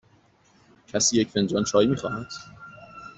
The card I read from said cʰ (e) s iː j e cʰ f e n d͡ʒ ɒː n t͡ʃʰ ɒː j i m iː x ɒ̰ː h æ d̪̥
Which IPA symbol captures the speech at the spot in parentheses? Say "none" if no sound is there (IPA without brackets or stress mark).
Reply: æ